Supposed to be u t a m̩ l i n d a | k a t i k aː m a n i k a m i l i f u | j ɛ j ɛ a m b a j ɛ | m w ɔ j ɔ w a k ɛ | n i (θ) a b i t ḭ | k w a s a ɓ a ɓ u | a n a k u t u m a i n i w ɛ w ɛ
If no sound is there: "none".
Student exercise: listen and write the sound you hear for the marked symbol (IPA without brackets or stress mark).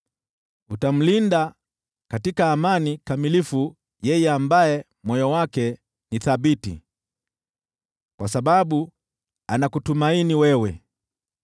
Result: θ